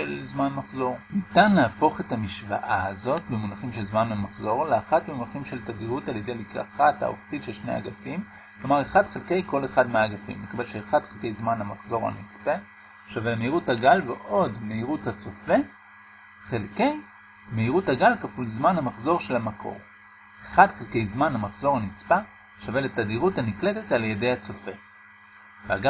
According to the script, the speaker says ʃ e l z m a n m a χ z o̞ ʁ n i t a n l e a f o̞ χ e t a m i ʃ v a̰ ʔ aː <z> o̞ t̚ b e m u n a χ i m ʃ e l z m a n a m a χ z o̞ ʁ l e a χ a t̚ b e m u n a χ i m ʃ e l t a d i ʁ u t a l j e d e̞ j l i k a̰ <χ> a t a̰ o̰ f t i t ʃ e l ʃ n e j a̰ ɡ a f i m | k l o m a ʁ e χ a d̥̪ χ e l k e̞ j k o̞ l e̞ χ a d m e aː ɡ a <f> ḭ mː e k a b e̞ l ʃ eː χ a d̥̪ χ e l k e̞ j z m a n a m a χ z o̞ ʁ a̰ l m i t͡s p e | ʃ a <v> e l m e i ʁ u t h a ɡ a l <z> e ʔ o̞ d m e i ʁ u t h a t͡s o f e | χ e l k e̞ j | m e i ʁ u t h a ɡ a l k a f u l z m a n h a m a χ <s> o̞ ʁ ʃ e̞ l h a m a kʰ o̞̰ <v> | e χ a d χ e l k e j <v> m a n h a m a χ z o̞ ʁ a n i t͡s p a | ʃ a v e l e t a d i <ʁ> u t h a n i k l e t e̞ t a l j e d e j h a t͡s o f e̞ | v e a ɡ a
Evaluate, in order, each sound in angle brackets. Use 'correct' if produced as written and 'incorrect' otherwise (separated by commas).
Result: correct, correct, correct, correct, incorrect, incorrect, incorrect, incorrect, correct